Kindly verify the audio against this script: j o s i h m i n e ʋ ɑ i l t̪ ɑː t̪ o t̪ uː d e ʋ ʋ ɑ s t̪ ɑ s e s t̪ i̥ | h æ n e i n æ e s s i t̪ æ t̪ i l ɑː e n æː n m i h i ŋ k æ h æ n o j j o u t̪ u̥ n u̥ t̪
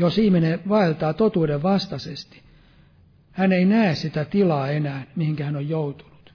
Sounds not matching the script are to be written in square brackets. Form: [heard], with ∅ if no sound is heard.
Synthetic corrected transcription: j o s i h m i n e ʋ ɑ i l t̪ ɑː t̪ o t̪ uː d e ʋ ʋ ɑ s t̪ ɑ s e s t̪ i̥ | h æ n e i n æ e s s i t̪ æ t̪ i l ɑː e n æː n m i h i ŋ k æ h æ n o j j o u t̪ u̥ n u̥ t̪